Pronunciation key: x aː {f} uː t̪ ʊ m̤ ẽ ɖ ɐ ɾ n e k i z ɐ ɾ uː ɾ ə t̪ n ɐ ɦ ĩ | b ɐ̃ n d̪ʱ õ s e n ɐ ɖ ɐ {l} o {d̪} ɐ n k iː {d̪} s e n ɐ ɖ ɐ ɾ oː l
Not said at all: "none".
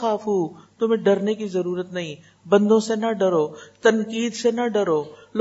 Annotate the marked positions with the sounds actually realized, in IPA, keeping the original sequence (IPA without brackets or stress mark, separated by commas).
f, ɾ, t̪, d̪